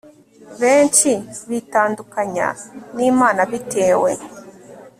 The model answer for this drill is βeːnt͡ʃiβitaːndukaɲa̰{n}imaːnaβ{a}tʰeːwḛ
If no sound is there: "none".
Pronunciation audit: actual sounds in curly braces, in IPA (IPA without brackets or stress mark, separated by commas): n, i